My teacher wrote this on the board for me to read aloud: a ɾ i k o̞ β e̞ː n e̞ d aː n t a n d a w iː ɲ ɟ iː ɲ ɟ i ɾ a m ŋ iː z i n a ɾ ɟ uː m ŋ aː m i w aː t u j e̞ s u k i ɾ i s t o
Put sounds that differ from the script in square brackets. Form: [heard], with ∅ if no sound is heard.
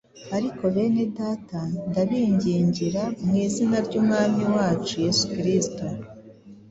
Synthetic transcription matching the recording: a ɾ i k o̞ β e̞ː n e̞ d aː [∅] t a n d a [β] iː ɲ ɟ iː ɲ ɟ i ɾ a m ŋ iː z i n a ɾ ɟ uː m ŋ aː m i w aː [t͡ʃ] u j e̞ s u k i ɾ i s t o

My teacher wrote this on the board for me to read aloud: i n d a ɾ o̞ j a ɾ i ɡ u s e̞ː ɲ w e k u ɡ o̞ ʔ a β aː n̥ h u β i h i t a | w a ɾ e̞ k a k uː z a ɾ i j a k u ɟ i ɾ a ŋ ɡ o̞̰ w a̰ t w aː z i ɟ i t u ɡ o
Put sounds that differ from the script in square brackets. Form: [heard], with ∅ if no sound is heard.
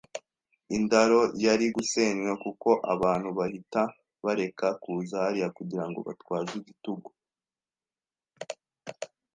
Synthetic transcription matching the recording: i n d a ɾ o̞ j a ɾ i ɡ u s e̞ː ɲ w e k u [k] o̞ ʔ a β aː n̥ h u β [a] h i t a | [β] a ɾ e̞ k a k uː z a ɾ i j a k u ɟ i ɾ a ŋ ɡ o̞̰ [β] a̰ t w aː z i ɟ i t u ɡ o

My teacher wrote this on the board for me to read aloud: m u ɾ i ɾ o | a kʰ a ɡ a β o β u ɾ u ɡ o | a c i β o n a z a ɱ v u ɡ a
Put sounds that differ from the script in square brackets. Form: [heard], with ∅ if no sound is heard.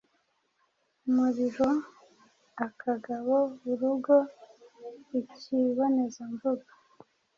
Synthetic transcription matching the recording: m u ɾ i ɾ o | a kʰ a ɡ a β o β u ɾ u ɡ o | [i] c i β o n [e] z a ɱ v u ɡ a

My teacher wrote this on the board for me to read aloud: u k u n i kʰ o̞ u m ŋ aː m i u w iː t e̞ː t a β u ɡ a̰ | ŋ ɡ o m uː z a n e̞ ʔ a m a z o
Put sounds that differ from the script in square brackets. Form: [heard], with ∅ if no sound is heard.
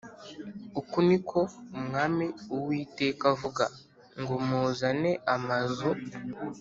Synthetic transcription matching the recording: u k u n i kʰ o̞ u m ŋ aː m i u w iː t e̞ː [k] a [v] u ɡ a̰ | ŋ ɡ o m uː z a n e̞ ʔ a m a z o

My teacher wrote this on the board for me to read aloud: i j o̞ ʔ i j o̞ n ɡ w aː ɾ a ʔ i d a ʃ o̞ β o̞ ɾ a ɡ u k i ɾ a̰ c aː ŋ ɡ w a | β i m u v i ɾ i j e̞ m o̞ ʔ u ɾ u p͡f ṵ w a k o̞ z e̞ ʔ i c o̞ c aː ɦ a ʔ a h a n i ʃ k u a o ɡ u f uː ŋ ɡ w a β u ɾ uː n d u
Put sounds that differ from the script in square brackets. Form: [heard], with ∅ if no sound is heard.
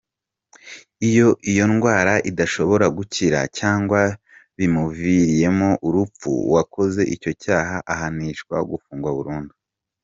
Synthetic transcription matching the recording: i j o̞ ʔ i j o̞ n ɡ w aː ɾ a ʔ i d a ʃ o̞ β o̞ ɾ a ɡ u [c] i ɾ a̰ c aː ŋ ɡ w a | β i m u v i ɾ i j e̞ m o̞ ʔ u ɾ u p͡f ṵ w a k o̞ z e̞ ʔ i c o̞ c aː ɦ a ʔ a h a n i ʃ k [w] a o ɡ u f uː ŋ ɡ w a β u ɾ uː n d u

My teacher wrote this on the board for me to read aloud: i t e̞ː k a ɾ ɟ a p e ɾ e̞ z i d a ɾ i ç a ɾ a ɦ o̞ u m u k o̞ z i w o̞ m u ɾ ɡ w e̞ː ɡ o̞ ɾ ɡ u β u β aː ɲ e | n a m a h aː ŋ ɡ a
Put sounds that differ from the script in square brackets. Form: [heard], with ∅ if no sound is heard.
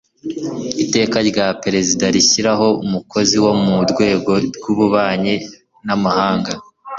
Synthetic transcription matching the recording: i t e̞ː k a ɾ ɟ a p e ɾ e̞ z i d a ɾ i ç [i] ɾ a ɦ o̞ u m u k o̞ z i w o̞ m u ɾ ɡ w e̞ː ɡ o̞ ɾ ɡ u β u β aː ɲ e | n a m a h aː ŋ ɡ a

